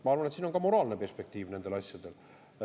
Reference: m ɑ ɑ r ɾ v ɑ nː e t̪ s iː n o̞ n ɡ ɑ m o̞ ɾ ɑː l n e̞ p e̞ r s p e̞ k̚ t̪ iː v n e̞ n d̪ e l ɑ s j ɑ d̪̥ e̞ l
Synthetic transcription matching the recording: m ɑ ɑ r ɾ v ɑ n e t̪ s iː n o̞ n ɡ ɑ m o̞ ɾ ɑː l n e̞ p e̞ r s p e̞ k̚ t̪ iː v n e̞ n d̪ e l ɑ s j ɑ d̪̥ e̞ l